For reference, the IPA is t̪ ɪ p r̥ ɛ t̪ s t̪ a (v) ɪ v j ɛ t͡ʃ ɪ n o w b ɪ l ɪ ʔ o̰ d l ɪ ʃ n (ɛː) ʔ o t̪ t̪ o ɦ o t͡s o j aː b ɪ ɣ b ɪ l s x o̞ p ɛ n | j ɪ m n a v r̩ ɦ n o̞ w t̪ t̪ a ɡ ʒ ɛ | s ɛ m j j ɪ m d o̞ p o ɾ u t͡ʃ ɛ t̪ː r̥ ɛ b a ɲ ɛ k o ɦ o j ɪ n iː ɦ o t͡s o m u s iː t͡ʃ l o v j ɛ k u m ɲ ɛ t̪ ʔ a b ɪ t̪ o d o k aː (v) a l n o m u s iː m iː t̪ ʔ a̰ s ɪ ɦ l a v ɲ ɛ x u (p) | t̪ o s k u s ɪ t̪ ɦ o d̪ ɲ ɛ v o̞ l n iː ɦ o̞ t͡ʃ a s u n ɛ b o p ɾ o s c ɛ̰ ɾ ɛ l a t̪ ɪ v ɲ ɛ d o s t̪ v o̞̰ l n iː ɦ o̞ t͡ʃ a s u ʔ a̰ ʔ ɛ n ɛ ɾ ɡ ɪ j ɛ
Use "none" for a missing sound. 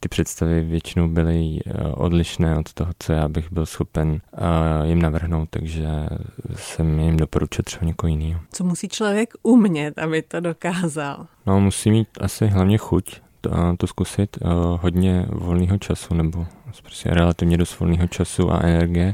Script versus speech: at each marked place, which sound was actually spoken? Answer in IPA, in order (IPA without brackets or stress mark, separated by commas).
v, ɛː, z, c